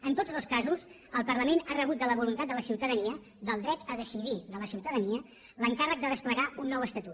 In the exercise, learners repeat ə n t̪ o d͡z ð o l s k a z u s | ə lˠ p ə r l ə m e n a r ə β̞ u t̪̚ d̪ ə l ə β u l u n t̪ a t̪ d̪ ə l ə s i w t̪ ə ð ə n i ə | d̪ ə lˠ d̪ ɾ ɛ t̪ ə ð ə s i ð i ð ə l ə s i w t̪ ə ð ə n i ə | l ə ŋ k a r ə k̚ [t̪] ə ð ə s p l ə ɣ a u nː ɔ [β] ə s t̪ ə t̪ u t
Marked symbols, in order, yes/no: no, no

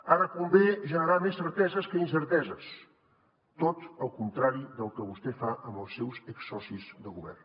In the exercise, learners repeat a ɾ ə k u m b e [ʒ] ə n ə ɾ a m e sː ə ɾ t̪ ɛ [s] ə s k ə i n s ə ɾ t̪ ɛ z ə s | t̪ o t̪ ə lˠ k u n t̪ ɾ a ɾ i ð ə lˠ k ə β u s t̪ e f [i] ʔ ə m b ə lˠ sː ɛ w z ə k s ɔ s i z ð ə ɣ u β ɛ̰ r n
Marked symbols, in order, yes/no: yes, no, no

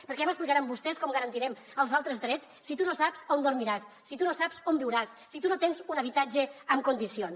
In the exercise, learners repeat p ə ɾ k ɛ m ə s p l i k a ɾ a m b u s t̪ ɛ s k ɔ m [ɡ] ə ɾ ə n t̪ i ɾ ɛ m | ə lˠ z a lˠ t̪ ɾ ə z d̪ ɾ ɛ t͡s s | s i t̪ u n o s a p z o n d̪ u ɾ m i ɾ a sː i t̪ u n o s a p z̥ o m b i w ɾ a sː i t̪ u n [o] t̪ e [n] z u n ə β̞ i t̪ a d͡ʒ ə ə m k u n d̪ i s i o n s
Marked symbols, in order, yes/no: yes, yes, yes

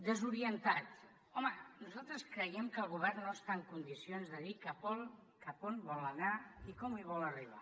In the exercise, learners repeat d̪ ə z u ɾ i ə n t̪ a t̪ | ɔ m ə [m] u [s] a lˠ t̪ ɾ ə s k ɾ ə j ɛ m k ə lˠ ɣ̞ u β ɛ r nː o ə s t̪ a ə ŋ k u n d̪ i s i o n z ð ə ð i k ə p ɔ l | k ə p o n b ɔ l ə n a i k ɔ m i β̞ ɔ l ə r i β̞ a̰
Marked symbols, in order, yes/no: no, no

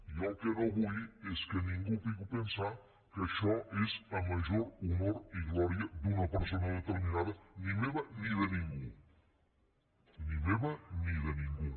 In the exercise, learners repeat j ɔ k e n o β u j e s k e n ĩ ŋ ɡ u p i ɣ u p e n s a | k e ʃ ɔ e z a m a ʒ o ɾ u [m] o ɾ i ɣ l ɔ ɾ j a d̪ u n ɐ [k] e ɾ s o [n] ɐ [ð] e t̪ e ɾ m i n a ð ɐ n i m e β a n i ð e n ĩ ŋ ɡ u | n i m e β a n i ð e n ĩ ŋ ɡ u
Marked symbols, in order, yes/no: yes, no, yes, yes

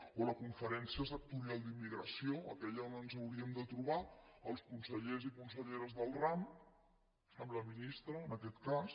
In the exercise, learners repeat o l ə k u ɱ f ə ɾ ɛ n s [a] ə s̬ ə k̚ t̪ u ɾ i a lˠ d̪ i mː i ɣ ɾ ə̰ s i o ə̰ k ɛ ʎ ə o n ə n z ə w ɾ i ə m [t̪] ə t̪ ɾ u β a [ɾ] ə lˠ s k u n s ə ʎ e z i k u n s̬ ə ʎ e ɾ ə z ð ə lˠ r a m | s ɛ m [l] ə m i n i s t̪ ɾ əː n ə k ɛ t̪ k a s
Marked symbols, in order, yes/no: no, no, no, yes

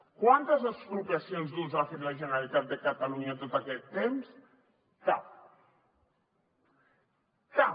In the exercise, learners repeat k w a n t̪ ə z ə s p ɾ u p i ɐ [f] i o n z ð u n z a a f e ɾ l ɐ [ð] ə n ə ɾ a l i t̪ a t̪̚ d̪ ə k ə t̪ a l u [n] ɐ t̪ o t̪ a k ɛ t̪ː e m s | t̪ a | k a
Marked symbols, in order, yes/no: no, no, no

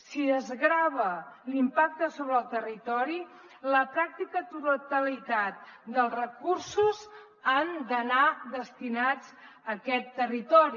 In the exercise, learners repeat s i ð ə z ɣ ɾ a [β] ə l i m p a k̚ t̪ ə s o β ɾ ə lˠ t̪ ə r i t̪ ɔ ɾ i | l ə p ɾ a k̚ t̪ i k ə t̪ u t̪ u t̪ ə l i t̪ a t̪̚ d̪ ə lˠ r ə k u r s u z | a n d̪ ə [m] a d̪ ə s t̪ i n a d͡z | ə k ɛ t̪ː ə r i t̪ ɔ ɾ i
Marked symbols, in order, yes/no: yes, no

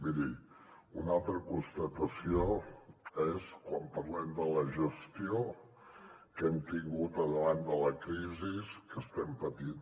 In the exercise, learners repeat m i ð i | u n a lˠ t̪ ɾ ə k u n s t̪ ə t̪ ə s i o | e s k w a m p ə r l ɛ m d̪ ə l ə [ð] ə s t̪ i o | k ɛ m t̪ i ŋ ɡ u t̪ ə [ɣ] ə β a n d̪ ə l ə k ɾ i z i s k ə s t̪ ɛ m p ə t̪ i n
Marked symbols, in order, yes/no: no, no

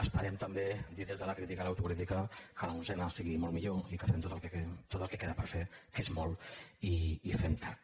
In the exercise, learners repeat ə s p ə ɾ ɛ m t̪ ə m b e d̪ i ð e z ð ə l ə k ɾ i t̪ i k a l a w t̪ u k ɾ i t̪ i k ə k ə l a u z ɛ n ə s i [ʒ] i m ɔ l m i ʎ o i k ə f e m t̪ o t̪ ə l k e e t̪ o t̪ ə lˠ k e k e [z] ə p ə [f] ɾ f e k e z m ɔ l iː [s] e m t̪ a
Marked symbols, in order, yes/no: no, no, no, no

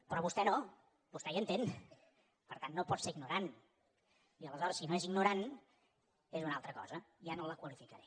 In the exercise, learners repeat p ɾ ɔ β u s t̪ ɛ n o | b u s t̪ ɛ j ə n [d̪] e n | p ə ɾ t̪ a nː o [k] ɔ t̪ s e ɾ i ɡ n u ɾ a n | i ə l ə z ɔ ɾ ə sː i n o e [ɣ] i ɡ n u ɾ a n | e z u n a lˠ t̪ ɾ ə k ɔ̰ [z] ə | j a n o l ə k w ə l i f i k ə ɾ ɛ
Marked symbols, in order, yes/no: no, no, no, yes

